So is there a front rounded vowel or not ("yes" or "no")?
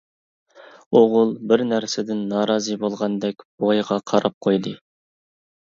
no